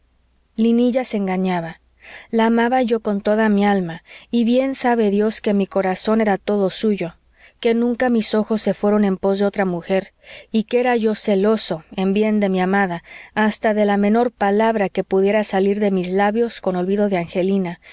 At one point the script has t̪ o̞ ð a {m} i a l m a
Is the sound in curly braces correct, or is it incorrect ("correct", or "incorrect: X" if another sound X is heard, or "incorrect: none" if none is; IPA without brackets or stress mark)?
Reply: correct